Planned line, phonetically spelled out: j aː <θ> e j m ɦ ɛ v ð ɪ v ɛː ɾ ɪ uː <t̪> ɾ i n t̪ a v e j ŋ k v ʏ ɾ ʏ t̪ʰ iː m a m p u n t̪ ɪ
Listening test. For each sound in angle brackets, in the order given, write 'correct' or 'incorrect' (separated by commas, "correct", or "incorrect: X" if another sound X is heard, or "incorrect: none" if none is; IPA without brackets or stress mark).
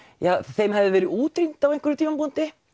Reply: correct, correct